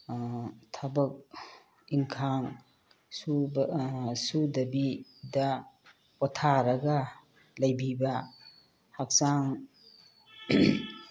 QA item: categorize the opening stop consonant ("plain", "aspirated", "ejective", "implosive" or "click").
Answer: aspirated